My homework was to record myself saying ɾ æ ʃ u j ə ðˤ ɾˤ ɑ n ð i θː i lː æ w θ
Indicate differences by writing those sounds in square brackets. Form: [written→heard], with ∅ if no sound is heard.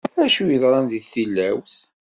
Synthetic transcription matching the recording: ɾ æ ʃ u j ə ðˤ ɾˤ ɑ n ð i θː i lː æ w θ